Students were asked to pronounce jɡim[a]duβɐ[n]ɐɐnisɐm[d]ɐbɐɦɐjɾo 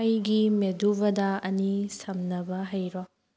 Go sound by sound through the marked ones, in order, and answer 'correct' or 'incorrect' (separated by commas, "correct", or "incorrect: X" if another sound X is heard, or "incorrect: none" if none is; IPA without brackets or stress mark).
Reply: incorrect: e, incorrect: d, incorrect: n